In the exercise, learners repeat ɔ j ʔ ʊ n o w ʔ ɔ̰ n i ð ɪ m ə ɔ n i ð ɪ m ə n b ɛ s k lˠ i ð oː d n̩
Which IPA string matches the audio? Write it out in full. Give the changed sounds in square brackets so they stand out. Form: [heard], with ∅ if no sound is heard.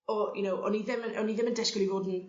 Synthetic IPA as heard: ɔ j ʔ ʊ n o w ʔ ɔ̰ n i ð ɪ m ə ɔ n i ð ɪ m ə n [d] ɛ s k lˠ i [v] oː d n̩